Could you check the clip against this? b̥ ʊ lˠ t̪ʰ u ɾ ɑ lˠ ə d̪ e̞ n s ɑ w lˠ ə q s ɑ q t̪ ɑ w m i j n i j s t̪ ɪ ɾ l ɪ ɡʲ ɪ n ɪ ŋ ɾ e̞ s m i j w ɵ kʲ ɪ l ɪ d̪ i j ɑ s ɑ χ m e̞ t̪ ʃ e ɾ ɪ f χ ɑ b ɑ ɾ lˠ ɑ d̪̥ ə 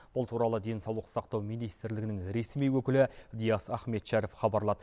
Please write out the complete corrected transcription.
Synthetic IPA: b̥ ʊ lˠ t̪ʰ u ɾ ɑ lˠ ə d̪ e̞ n s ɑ w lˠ ə q s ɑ q t̪ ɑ w m i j n i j s t̪ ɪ ɾ l ɪ ɡʲ ɪ n ɪ ŋ ɾ e̞ s m i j w ɵ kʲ ɪ l ɪ d̪ i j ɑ s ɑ χ m e̞ t̪ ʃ æ ɾ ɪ f χ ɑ b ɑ ɾ lˠ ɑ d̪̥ ə